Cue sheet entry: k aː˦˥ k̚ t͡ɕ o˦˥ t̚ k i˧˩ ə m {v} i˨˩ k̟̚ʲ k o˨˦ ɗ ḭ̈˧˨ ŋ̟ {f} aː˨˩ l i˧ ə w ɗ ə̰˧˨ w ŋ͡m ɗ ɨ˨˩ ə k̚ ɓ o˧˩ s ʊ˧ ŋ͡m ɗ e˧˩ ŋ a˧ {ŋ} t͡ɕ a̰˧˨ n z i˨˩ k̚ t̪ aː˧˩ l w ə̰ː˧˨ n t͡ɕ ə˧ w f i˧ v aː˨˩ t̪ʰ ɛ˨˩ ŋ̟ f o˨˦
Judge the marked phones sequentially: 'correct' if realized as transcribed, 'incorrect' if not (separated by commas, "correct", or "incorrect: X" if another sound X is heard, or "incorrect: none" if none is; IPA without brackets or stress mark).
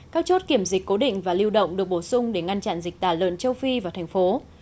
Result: incorrect: z, incorrect: v, incorrect: n